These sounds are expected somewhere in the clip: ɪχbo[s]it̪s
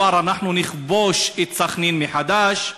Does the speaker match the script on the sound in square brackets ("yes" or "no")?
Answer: no